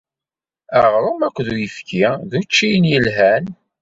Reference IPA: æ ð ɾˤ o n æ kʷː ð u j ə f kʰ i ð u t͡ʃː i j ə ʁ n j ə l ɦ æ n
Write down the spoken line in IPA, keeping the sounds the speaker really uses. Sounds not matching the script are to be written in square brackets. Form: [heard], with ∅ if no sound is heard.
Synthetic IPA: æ [ʁ] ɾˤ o [m] æ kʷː ð u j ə f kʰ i ð u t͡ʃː i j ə [∅] n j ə l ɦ æ n